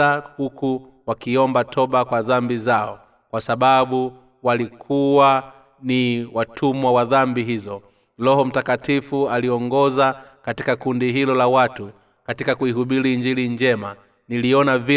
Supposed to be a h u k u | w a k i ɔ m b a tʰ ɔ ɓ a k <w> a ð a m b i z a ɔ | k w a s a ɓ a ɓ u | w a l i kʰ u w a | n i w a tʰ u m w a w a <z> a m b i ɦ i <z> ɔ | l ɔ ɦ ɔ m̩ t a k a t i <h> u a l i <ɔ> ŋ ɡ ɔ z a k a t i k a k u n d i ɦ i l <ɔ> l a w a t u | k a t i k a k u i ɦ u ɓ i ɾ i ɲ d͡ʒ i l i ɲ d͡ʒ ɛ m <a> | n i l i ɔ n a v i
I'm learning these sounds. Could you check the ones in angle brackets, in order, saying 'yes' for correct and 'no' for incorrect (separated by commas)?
yes, no, yes, no, yes, yes, yes